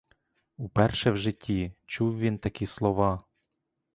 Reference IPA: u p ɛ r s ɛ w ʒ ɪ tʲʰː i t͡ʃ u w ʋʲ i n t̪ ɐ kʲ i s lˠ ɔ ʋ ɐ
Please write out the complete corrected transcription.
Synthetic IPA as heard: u p ɛ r ʃ ɛ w ʒ ɪ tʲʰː i t͡ʃ u w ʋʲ i n t̪ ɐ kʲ i s lˠ ɔ ʋ ɑ

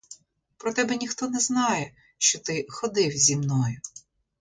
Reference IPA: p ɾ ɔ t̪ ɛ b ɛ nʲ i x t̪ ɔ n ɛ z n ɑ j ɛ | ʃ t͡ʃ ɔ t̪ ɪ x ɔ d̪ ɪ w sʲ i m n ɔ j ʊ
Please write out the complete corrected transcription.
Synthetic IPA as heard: p ɾ ɔ t̪ ɛ b ɛ nʲ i x t̪ ɔ n ɛ z n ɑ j ɛ | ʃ t͡ʃ ɔ t̪ ɪ x ɔ d̪ ɪ w zʲ i m n ɔ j ʊ

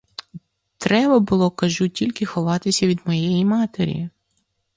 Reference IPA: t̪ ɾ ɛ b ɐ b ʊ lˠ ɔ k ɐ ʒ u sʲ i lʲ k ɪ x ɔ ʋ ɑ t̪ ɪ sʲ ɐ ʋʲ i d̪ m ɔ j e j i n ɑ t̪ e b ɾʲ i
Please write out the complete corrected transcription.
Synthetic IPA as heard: t̪ ɾ ɛ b ɐ b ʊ lˠ ɔ k ɐ ʒ u tʲ i lʲ k ɪ x ɔ ʋ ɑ t̪ ɪ sʲ ɐ ʋʲ i d̪ m ɔ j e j i m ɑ t̪ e ɾʲ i

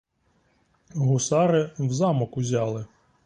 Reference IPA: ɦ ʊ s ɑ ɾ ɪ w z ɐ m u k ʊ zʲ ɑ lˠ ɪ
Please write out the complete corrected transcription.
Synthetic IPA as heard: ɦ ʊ s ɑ ɾ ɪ w z ɑ m ɔ k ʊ zʲ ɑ lˠ ɪ

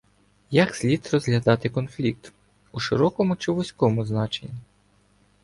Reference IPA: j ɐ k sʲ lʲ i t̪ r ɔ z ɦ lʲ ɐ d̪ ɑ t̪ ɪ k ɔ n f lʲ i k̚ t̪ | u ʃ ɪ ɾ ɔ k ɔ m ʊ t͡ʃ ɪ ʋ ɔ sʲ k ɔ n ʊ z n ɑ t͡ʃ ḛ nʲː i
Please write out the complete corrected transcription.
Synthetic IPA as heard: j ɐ k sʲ lʲ i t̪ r ɔ z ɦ lʲ ɐ d̪ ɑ t̪ ɪ k ɔ n f lʲ i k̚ t̪ | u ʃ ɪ ɾ ɔ k ɔ m ʊ t͡ʃ ɪ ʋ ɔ sʲ k ɔ m ʊ z n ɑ t͡ʃ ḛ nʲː i

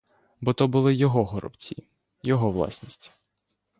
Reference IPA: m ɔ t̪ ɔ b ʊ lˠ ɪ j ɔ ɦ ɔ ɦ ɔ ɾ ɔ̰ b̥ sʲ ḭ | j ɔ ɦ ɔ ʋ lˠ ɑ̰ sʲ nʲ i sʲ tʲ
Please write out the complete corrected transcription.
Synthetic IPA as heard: b ɔ t̪ ɔ b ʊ lˠ ɪ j ɔ ɦ ɔ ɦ ɔ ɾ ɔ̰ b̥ t͡sʲ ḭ | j ɔ ɦ ɔ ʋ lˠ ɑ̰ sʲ nʲ i sʲ tʲ

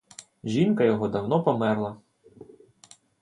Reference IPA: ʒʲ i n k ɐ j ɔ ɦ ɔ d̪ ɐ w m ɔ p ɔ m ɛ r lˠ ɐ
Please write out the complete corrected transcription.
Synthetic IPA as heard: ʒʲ i n k ɐ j ɔ ɦ ɔ d̪ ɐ w n ɔ p ɔ m ɛ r lˠ ɐ

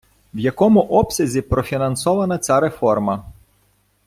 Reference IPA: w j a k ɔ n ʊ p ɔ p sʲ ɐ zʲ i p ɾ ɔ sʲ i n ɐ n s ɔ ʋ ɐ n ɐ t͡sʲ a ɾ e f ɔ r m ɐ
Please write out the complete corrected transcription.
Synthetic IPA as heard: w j ɐ k ɔ m ʊ ʔ ɔ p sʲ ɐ zʲ i p ɾ ɔ fʲ i n ɐ n s ɔ ʋ ɐ n ɐ t͡sʲ a ɾ e f ɔ r m ɐ

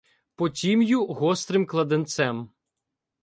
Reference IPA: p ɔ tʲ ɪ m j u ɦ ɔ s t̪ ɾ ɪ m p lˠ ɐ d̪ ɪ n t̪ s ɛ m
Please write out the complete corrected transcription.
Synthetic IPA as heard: p ɔ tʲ i m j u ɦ ɔ s t̪ ɾ ɪ m k lˠ ɐ d̪ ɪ n t̪ s ɛ m

